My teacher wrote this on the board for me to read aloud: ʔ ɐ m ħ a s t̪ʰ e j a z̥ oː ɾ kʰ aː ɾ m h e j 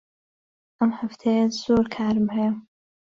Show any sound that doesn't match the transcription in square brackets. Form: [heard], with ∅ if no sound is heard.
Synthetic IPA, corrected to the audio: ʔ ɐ m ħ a [f] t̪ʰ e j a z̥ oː ɾ kʰ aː ɾ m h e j